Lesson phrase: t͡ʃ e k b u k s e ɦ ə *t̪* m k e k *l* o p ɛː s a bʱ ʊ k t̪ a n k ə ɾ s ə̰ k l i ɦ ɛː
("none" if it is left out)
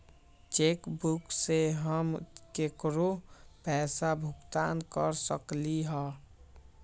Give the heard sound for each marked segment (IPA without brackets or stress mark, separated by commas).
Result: none, ɾ